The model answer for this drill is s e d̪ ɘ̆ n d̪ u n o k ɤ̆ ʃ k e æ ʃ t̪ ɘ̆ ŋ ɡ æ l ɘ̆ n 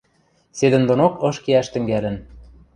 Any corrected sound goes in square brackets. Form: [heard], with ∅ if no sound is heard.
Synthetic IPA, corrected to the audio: s e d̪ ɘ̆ n d̪ [o] n o k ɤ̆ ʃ k e æ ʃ t̪ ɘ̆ ŋ ɡ æ l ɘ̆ n